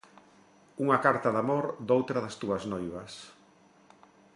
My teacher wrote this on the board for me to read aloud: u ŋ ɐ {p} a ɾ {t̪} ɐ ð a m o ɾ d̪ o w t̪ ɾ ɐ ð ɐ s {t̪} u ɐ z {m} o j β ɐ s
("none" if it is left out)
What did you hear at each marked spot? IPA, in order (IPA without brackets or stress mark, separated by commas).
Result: k, t̪, t̪, n